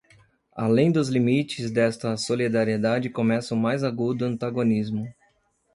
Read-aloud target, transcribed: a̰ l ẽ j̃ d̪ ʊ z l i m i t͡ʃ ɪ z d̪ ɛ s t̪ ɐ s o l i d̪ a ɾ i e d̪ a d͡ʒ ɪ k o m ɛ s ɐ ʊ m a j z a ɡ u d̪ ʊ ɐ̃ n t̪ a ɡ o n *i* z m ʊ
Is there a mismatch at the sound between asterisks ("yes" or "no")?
no